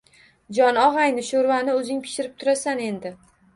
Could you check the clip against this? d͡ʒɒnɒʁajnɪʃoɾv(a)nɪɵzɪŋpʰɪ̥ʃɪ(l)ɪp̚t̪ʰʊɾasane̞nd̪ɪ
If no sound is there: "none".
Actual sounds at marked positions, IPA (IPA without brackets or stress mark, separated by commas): a, ɾ